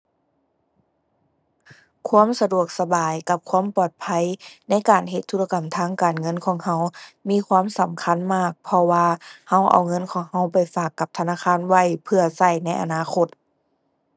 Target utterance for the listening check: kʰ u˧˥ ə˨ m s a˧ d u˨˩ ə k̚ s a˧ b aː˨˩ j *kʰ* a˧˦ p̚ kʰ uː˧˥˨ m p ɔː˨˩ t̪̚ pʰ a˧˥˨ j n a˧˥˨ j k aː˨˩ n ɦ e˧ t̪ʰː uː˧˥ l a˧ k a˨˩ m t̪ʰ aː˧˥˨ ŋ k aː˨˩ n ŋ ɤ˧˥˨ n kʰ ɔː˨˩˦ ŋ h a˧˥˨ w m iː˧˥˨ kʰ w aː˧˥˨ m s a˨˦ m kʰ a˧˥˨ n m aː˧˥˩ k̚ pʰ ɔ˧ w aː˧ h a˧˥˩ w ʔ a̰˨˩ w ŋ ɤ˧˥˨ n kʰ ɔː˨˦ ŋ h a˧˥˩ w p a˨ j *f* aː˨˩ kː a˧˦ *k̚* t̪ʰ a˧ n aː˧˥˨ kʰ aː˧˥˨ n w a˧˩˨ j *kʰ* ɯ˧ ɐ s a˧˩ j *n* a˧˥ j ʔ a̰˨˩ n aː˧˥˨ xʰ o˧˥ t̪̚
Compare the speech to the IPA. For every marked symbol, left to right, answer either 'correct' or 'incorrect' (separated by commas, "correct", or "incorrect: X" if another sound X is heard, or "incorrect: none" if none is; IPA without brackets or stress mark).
incorrect: k, correct, incorrect: p̚, incorrect: pʰ, correct